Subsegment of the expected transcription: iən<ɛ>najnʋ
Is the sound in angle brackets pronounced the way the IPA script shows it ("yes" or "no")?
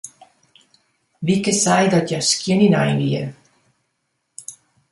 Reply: no